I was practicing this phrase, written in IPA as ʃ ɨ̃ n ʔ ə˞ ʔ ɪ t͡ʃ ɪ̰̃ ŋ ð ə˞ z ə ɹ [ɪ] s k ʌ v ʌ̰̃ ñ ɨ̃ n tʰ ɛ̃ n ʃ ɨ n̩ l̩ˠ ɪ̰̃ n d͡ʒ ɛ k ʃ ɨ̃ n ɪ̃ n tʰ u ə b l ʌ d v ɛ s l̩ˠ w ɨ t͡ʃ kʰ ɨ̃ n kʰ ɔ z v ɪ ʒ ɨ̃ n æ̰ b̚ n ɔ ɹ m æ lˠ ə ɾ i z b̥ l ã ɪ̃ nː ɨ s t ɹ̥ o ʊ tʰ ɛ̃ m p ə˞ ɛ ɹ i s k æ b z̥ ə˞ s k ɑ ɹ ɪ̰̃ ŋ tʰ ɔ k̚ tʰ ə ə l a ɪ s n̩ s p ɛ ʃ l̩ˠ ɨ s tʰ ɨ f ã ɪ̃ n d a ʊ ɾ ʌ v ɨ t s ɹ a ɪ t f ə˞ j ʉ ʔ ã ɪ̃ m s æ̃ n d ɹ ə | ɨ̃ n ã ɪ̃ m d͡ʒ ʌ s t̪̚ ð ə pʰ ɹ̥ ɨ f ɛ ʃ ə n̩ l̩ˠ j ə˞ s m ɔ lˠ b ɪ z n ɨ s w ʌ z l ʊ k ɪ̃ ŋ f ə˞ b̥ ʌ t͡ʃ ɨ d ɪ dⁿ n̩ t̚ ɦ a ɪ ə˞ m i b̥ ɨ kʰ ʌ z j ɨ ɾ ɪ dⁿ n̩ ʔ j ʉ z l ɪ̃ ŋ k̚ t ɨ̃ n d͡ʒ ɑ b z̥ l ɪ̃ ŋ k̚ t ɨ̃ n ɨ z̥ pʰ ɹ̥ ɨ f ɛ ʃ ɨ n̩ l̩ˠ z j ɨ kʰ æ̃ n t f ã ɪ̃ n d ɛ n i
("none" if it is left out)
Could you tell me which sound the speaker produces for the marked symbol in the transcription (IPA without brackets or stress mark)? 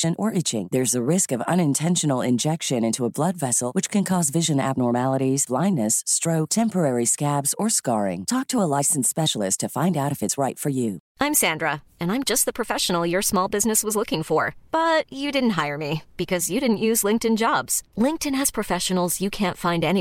ɪ